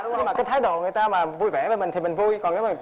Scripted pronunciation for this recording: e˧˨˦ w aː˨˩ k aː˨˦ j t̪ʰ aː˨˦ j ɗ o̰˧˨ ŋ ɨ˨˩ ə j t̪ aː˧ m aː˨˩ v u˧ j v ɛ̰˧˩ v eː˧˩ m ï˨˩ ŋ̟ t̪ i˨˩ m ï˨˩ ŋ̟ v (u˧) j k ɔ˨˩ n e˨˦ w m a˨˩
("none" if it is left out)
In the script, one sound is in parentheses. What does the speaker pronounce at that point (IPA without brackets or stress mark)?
u˧